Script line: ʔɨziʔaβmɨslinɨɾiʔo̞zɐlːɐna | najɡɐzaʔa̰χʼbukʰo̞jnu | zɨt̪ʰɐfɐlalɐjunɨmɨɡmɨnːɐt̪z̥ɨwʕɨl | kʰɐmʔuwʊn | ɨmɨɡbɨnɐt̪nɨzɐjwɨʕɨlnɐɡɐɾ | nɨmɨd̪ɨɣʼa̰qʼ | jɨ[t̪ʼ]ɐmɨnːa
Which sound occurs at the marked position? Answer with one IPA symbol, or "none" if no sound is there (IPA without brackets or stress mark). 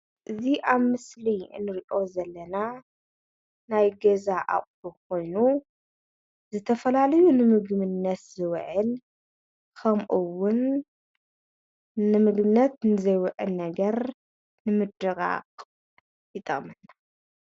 t̪ʼ